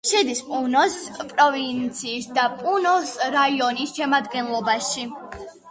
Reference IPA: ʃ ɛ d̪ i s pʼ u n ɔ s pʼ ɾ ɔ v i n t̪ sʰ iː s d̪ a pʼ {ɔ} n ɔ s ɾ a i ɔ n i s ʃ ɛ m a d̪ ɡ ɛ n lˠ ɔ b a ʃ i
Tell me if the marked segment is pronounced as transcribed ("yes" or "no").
no